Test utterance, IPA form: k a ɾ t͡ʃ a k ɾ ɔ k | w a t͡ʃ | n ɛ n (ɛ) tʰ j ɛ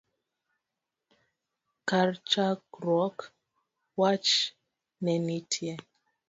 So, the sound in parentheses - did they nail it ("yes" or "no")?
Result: no